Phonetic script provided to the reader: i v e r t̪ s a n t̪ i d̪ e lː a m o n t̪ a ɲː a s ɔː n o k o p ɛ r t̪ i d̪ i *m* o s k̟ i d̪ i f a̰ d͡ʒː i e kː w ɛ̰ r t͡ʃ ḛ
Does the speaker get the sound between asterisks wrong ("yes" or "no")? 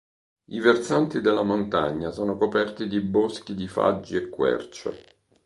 yes